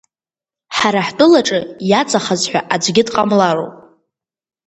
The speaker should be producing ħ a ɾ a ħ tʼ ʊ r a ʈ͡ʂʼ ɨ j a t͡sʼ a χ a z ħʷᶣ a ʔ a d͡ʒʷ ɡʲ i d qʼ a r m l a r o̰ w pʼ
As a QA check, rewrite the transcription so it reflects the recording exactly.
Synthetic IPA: ħ a ɾ a ħ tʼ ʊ l a ʈ͡ʂʼ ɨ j a t͡sʼ a χ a z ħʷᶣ a ʔ a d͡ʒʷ ɡʲ ɪ d qʼ a m l a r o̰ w pʼ